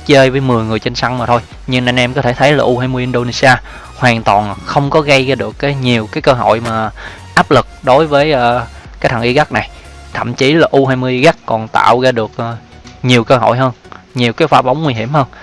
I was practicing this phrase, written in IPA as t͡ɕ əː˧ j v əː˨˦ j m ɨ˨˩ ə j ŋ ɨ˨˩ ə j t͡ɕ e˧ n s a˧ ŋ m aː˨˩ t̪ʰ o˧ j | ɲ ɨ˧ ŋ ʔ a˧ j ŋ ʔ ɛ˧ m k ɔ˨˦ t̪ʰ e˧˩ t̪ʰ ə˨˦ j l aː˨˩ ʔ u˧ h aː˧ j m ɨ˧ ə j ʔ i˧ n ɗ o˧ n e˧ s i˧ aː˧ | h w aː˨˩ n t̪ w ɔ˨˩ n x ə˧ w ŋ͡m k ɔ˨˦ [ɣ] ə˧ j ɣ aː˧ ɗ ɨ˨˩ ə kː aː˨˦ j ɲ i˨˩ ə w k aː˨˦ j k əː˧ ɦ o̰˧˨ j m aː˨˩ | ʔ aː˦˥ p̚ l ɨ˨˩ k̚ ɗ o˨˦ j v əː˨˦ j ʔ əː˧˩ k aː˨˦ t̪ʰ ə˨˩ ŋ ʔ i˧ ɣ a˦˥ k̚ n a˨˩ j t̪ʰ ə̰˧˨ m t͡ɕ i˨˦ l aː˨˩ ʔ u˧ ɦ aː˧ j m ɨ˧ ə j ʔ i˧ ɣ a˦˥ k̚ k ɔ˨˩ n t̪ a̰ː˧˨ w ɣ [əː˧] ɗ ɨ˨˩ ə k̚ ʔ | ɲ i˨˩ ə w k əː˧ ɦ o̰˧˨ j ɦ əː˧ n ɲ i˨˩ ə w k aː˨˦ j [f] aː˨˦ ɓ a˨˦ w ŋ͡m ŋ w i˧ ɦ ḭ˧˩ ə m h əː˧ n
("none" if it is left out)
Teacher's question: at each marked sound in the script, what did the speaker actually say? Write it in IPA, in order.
ɣ, aː˧, f

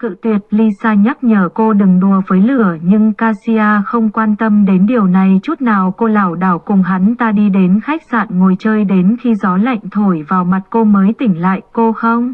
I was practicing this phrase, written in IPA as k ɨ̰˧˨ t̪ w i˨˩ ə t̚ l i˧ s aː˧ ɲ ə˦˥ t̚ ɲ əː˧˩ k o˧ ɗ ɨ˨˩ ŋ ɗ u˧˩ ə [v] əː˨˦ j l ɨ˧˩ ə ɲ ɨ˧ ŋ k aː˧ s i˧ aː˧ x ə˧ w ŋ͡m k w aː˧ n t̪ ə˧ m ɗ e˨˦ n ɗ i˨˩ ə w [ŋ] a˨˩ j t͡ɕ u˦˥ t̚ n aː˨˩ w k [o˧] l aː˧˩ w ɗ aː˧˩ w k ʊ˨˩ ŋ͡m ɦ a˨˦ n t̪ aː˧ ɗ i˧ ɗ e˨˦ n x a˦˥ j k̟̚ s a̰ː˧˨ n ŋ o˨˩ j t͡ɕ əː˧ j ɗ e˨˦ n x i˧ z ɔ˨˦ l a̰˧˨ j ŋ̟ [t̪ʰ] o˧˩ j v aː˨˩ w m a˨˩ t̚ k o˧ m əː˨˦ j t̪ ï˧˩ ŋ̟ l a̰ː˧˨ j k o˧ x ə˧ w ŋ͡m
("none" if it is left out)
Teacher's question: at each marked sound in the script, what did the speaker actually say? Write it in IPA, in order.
v, n, o˧, t̪ʰ

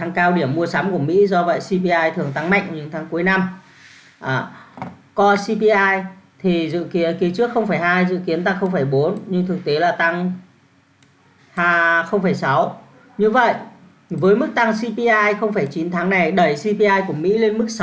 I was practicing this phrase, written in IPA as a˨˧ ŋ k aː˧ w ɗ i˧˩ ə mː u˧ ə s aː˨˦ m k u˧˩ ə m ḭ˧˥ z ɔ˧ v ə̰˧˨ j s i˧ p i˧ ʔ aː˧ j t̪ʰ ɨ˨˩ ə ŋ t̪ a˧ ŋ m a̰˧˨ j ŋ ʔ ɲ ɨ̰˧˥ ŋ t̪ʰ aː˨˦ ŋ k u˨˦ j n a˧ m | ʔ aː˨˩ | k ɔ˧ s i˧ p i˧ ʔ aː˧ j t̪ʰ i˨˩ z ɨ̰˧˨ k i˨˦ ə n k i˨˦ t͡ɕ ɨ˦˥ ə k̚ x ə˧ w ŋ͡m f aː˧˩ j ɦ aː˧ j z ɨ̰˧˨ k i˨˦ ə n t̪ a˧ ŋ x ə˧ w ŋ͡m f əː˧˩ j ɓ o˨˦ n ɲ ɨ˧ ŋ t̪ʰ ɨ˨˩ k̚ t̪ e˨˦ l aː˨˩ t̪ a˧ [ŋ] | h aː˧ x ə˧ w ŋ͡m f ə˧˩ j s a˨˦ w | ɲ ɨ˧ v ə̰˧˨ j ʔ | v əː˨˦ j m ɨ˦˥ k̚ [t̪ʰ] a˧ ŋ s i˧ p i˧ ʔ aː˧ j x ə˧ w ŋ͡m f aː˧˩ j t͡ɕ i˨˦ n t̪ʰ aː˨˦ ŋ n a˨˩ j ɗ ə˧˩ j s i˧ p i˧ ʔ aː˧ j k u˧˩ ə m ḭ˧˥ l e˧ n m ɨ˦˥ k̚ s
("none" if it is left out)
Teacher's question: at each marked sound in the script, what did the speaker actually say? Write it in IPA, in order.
ŋ, t̪

